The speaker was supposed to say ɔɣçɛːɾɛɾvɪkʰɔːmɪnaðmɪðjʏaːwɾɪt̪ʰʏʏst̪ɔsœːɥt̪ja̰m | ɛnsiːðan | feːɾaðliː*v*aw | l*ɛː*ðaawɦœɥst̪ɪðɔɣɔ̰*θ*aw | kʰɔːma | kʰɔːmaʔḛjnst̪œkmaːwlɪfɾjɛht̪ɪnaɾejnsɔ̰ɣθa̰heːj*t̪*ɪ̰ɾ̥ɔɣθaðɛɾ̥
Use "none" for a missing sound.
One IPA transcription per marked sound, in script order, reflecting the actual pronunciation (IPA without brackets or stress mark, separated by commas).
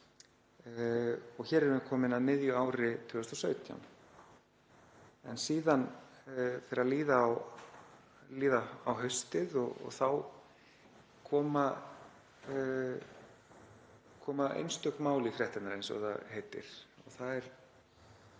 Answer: ð, iː, θ, t̪